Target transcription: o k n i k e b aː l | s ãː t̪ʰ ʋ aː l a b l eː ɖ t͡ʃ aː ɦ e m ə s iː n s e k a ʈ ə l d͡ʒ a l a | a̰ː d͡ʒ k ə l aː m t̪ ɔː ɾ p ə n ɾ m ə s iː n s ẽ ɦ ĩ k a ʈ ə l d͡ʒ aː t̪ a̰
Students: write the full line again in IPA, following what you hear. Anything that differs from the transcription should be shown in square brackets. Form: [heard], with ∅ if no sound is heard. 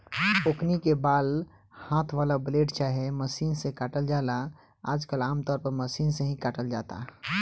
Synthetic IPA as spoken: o k n i k e b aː l | [h] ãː t̪ʰ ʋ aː l a b l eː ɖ t͡ʃ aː ɦ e m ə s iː n s e k a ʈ ə l d͡ʒ a l a | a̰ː d͡ʒ k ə l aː m t̪ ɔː ɾ p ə [∅] ɾ m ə s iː n s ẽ ɦ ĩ k a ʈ ə l d͡ʒ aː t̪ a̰